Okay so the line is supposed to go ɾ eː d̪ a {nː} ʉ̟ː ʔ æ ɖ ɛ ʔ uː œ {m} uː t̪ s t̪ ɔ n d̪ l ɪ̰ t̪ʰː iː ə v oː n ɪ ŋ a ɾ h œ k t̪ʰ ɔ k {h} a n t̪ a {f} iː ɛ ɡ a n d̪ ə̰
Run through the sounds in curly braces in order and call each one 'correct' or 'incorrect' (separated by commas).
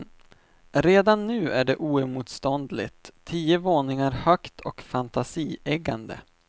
correct, correct, incorrect, incorrect